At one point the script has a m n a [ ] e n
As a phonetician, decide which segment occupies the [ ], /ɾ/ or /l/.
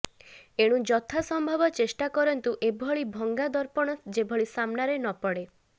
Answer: ɾ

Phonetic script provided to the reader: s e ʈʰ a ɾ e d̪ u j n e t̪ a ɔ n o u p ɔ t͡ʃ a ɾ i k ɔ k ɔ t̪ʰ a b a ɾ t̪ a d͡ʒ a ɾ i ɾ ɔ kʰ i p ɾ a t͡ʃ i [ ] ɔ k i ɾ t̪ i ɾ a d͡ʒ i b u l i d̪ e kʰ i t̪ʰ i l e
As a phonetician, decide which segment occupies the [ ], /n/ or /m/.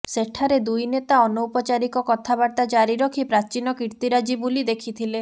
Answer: n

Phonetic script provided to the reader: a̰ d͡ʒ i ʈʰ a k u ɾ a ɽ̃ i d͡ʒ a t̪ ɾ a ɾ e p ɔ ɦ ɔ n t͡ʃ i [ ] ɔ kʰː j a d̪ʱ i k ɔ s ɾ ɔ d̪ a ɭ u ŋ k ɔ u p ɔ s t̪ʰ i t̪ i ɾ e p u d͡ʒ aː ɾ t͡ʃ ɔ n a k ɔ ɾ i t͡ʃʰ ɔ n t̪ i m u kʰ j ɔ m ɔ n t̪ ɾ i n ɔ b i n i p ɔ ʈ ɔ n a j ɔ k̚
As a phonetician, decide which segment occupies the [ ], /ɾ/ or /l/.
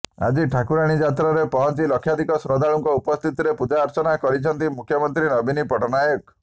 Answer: l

